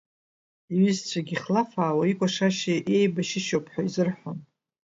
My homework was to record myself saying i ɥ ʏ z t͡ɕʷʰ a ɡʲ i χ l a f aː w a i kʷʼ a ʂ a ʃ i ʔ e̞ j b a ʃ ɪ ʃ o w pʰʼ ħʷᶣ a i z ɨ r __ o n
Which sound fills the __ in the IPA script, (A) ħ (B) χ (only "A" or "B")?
A